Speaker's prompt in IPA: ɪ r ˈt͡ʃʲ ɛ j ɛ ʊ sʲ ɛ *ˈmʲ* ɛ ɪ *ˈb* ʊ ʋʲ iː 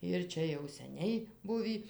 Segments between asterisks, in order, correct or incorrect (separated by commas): incorrect, correct